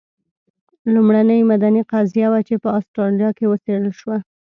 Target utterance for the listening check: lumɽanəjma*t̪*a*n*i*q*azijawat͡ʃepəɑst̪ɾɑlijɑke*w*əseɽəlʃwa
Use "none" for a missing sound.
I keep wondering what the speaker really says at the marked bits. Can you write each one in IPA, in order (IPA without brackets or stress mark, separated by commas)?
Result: d̪, n, q, w